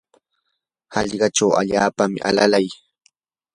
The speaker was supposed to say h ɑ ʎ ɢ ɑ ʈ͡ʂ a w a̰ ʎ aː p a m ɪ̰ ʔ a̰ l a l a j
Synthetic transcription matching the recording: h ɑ ʎ ɢ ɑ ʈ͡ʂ a w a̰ ʎ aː p a m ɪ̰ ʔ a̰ l a l a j